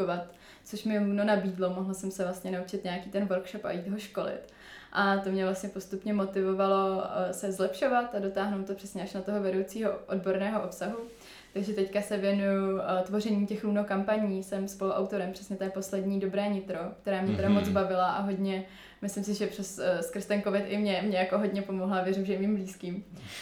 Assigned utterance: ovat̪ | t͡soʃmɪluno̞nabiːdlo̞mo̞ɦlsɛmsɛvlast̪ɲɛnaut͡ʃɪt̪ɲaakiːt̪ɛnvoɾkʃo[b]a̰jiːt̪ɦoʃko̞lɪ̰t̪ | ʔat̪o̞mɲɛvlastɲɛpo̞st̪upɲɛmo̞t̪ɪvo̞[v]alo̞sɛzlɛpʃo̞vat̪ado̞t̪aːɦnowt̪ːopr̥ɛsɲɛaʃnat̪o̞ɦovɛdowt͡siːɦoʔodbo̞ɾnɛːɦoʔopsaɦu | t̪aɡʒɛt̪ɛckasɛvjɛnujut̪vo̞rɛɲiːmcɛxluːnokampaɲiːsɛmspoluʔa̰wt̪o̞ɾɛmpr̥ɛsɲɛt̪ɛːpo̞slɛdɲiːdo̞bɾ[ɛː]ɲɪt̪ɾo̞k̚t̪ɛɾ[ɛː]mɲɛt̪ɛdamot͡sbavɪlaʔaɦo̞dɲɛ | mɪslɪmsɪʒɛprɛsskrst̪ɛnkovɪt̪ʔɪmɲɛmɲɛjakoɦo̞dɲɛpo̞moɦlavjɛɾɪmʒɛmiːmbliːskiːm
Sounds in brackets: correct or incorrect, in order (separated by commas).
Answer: incorrect, correct, correct, incorrect